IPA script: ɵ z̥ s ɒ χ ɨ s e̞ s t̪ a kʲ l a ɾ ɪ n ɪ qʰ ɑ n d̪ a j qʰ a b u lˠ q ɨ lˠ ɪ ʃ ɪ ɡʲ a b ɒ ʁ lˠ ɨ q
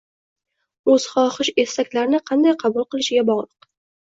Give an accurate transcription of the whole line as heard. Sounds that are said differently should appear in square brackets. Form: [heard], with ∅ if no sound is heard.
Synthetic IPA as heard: ɵ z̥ [χ] ɒ χ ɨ [ʃ] e̞ s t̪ a kʲ l a ɾ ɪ n ɪ qʰ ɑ n d̪ a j qʰ [ɑ] b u lˠ q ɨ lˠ ɪ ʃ ɪ ɡʲ a b ɒ ʁ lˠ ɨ q

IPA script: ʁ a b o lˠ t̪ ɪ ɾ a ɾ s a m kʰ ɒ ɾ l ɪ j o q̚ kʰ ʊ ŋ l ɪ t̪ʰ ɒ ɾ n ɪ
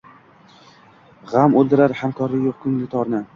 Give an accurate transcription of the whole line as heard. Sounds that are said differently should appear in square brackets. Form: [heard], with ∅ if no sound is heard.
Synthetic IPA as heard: ʁ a [m] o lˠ [d̪] ɪ ɾ a ɾ [h] a m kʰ ɒ ɾ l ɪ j o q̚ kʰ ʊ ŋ l ɪ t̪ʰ ɒ ɾ n ɪ

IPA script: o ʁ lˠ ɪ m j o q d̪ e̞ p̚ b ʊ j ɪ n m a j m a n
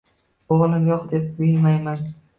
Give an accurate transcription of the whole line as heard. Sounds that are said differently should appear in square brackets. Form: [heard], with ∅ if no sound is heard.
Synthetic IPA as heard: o ʁ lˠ ɪ m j [ɒ] q d̪ e̞ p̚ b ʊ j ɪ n m a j m a n

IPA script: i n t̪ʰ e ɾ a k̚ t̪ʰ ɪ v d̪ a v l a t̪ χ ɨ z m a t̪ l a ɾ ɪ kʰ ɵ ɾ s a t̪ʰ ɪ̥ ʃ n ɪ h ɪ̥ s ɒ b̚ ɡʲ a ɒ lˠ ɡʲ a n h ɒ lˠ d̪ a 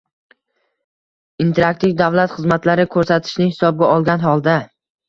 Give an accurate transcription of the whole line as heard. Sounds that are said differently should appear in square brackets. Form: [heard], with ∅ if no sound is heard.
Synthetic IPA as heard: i n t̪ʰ e ɾ a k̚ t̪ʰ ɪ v d̪ a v l a t̪ χ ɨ z m a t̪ l a ɾ ɪ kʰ ɵ ɾ s a t̪ʰ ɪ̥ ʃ n ɪ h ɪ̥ s ɒ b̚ ɡʲ a ɒ lˠ ɡʲ a n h ɒ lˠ d̪ a

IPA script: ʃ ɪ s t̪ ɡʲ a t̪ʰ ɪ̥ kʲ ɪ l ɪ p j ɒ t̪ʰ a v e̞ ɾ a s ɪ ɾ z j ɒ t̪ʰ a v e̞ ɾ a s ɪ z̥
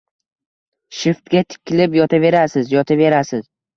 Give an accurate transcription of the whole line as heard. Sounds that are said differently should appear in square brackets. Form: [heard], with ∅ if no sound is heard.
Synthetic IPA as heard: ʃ ɪ [f] t̪ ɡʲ a t̪ʰ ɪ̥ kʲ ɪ l ɪ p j ɒ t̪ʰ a v e̞ ɾ a s ɪ [∅] z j ɒ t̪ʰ a v e̞ ɾ a s ɪ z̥

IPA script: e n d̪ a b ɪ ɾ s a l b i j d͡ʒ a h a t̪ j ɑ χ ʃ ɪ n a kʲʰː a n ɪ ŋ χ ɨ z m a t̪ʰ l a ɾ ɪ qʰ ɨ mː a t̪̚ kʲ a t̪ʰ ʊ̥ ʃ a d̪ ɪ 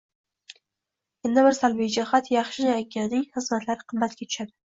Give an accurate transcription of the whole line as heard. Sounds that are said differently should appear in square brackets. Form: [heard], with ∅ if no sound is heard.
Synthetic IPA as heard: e n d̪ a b ɪ ɾ s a l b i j d͡ʒ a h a t̪ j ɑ χ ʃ ɪ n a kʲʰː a n ɪ ŋ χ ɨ z m a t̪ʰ l a ɾ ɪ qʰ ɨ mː a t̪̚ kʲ a t̪ʰ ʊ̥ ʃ a d̪ ɪ

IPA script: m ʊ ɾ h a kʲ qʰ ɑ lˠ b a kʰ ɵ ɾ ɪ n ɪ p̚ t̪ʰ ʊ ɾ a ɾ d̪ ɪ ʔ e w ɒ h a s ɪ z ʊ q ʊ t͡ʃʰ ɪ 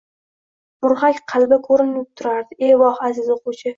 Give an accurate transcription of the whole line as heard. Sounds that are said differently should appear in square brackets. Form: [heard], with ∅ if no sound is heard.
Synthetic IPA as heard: m ʊ ɾ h a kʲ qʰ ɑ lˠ b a kʰ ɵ ɾ ɪ n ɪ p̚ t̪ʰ ʊ ɾ a ɾ d̪ ɪ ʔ e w ɒ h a [z] ɪ z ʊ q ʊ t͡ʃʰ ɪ

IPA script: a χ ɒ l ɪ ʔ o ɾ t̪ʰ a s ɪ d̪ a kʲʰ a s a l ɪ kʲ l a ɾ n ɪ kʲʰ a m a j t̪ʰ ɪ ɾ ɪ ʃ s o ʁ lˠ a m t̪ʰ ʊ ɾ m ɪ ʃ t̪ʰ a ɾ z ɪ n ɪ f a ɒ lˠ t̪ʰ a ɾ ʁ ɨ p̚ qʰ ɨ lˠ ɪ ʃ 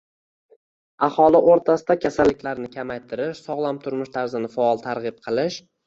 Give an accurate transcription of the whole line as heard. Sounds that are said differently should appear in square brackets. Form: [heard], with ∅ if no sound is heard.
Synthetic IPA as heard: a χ ɒ l ɪ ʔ o ɾ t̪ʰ a s ɪ d̪ a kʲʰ a s a [lː] ɪ kʲ l a ɾ n ɪ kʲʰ a m a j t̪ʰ ɪ ɾ ɪ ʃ s [ɒ] ʁ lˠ a m t̪ʰ ʊ ɾ m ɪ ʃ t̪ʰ a ɾ z ɪ n ɪ f a ɒ lˠ t̪ʰ a ɾ ʁ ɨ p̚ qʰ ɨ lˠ ɪ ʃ

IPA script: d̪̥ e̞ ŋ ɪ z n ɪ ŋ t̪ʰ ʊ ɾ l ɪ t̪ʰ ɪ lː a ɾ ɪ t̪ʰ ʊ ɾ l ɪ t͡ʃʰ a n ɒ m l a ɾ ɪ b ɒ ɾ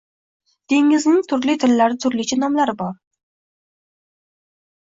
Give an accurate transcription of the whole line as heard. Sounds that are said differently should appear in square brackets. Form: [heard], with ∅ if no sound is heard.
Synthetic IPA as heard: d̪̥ e̞ ŋ ɪ z n ɪ ŋ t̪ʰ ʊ ɾ l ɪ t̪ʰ ɪ lː a ɾ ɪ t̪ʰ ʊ ɾ l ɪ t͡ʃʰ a n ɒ m l a ɾ ɪ b ɒ ɾ

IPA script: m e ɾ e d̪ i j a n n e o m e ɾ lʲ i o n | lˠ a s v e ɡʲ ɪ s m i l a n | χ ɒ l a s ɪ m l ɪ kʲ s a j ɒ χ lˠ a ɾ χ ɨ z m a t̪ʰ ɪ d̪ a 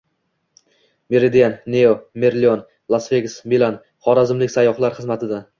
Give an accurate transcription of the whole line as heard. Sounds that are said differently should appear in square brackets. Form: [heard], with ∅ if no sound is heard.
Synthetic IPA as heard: m e ɾ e d̪ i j a n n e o m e ɾ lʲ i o n | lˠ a s v e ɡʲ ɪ s m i l a n | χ ɒ [ɾ] a [z] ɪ m l ɪ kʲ s a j ɒ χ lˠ a ɾ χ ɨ z m a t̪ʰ ɪ d̪ a

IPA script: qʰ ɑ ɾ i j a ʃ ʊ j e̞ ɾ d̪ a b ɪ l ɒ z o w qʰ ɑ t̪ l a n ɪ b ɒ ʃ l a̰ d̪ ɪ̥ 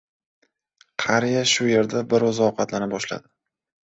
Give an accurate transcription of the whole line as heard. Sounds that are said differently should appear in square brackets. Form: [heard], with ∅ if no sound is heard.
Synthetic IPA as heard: qʰ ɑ ɾ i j a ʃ ʊ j e̞ ɾ d̪ a b ɪ [ɾ] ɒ z [ɒ] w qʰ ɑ t̪ l a n ɪ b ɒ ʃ l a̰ d̪ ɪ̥

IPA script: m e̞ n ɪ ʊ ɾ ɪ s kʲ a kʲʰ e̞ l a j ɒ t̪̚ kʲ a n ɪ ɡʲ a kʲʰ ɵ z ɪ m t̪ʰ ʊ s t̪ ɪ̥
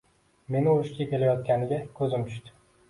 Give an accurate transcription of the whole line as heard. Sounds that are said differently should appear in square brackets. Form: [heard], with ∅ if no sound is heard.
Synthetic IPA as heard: m e̞ n ɪ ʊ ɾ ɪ [ʃ] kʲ a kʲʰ e̞ l a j ɒ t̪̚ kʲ a n ɪ ɡʲ a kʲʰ ɵ z ɪ m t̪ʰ ʊ [ʃ] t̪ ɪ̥

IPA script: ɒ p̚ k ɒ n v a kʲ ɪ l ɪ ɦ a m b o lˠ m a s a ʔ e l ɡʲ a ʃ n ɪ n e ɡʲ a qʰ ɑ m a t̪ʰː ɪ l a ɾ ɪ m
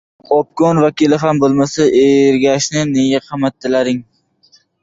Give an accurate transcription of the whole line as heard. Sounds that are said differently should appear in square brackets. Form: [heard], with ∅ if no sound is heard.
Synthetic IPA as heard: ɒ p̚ k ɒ n v a kʲ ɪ l ɪ ɦ a m b o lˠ m a s a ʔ e [ɾ] ɡʲ a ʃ n ɪ n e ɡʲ a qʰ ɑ m a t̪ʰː ɪ l a ɾ ɪ [ŋ]

